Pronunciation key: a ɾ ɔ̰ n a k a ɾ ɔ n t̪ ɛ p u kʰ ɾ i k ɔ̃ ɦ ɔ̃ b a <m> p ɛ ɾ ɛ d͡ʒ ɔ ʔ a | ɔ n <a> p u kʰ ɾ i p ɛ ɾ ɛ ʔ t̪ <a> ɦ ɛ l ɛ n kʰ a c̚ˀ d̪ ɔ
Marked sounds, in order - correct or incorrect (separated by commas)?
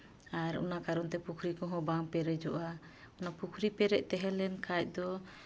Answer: incorrect, correct, incorrect